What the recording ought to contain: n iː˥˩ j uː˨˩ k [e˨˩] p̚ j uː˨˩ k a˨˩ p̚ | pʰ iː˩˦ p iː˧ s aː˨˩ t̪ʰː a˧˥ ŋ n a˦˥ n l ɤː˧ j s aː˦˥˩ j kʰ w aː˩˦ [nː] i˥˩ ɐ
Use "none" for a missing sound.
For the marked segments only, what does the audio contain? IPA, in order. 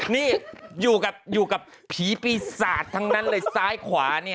a˨˩, n

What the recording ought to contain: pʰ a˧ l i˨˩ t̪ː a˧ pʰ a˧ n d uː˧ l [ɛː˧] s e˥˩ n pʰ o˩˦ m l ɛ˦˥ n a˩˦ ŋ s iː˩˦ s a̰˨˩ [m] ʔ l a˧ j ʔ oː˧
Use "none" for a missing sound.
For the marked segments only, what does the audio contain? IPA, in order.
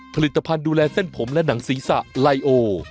ɛː˧, none

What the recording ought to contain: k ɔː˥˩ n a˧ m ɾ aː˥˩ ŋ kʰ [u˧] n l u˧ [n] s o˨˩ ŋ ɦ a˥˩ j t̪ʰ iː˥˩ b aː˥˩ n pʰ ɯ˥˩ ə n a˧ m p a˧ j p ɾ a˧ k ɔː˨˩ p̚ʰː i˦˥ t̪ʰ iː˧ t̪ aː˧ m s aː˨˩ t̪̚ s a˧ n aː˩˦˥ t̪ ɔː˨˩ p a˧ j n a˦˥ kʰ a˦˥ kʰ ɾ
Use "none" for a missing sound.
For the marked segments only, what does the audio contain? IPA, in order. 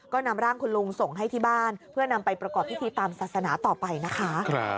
u˧, ŋ

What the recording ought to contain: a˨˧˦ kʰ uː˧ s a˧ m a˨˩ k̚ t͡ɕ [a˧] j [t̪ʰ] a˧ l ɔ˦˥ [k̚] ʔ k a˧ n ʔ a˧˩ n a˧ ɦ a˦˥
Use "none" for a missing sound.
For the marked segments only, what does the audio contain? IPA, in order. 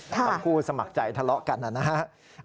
a˨˩, t̪ʰ, none

